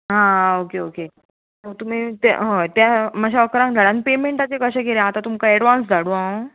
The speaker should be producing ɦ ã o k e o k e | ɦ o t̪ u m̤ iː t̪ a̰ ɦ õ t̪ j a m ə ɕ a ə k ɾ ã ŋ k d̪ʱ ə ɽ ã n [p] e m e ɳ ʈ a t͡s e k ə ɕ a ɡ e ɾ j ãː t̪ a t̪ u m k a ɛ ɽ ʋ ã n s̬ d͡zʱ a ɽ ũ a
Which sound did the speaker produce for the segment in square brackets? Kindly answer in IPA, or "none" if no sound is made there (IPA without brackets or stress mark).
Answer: p